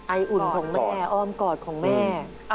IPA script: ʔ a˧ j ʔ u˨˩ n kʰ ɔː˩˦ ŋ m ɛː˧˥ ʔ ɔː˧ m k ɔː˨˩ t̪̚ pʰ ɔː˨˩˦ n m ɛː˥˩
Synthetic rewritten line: ʔ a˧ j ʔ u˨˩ n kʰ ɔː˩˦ ŋ m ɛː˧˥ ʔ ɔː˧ m k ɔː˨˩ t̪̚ kʰ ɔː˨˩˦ ŋ m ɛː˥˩